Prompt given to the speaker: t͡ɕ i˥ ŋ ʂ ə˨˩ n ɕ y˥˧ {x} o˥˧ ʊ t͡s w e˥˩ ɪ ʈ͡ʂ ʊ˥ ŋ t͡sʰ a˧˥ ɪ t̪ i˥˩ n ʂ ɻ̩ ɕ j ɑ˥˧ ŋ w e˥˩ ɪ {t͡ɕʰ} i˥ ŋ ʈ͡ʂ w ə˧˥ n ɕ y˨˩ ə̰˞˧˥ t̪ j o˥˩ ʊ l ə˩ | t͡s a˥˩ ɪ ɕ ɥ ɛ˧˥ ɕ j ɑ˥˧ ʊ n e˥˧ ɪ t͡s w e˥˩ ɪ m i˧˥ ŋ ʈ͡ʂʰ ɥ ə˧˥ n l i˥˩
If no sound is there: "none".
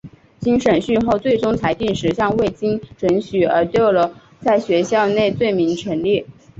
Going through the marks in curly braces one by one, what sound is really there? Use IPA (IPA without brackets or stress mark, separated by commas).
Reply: x, t͡ɕ